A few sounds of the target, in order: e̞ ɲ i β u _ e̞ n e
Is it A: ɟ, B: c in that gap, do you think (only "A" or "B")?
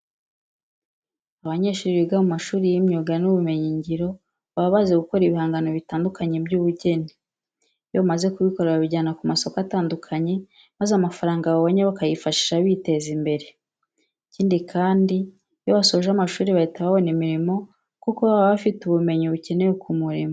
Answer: B